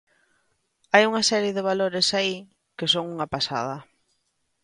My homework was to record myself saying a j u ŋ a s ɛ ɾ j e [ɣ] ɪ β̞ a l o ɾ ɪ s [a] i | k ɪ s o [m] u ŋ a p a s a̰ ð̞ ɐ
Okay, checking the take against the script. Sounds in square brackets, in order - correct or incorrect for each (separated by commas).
incorrect, correct, incorrect